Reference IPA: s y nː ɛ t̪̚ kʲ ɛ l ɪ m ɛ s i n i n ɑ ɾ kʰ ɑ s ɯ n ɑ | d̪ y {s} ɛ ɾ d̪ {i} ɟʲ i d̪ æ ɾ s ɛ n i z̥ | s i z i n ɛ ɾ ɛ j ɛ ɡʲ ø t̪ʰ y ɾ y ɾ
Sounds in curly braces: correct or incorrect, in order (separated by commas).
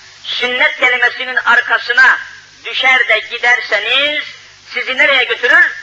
incorrect, incorrect